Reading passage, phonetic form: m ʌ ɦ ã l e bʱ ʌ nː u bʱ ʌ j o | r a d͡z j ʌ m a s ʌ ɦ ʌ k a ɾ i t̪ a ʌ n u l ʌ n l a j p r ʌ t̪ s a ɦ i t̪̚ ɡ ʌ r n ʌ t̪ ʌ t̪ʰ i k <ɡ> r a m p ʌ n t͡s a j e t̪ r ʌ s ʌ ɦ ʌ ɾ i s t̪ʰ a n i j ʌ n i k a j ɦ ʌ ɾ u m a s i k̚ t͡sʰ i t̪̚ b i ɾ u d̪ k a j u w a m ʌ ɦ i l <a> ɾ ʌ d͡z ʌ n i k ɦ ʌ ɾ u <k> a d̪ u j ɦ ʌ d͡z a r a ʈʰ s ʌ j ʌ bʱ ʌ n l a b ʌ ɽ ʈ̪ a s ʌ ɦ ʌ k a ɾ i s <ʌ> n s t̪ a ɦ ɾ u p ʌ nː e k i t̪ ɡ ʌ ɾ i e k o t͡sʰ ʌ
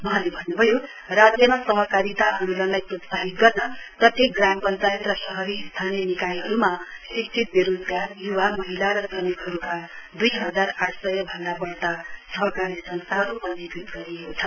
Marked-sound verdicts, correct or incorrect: correct, correct, correct, correct

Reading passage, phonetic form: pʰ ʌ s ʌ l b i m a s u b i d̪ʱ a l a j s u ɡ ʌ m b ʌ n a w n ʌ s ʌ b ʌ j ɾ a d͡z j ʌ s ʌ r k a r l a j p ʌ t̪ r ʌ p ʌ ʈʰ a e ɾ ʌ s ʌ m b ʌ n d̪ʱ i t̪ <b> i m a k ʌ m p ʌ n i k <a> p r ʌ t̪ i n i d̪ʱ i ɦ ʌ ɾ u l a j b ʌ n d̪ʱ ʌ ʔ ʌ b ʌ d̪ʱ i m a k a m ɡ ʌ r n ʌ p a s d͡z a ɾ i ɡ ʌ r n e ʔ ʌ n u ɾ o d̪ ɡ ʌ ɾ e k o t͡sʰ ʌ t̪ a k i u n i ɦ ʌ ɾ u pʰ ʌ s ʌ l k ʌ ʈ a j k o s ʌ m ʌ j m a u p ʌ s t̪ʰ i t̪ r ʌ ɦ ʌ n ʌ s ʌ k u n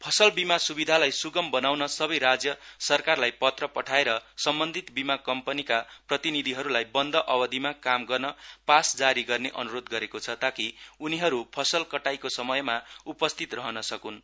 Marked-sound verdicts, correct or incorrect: correct, correct

